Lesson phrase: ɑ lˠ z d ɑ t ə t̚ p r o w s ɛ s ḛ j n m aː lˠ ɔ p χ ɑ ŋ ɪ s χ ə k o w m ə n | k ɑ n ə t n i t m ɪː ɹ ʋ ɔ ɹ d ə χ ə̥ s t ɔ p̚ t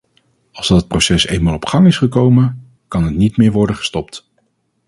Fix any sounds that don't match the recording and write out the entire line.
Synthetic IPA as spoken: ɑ lˠ z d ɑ t ə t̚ p r o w s ɛ s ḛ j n m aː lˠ ɔ p χ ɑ ŋ ɪ s χ ə k o w m ə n | k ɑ n ə t n i t m ɪː ɹ ʋ ɔ ɹ d ə χ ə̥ s t ɔ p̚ t